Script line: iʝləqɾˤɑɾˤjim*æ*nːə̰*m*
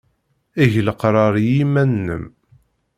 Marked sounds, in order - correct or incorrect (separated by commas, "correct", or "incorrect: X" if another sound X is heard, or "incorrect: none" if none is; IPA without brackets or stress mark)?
correct, correct